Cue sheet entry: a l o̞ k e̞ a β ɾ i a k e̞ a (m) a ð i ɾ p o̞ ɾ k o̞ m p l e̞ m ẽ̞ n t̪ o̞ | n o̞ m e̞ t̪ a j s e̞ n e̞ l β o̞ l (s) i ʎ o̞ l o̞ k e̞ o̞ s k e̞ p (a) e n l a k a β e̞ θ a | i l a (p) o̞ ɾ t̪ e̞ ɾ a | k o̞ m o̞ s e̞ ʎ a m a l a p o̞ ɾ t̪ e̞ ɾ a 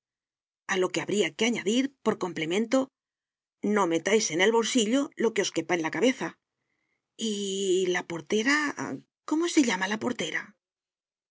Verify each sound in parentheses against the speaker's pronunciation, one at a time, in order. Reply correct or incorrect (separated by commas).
incorrect, correct, correct, correct